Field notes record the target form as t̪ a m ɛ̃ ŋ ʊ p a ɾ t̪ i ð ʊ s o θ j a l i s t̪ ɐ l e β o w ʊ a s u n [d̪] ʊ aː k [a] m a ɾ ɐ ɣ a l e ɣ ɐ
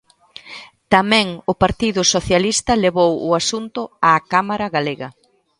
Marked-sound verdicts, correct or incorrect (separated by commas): incorrect, correct